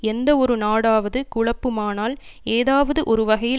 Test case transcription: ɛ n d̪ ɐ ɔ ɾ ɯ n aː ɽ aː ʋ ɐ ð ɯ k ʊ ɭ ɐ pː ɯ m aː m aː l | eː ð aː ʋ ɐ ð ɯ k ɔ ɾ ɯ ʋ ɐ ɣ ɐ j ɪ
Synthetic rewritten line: ɛ n d̪ ɐ ɔ ɾ ɯ n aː ɽ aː ʋ ɐ ð ɯ k ʊ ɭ ɐ pː ɯ m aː n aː l | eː ð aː ʋ ɐ ð ɯ ʔ ɔ ɾ ɯ ʋ ɐ ɣ ɐ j ɪ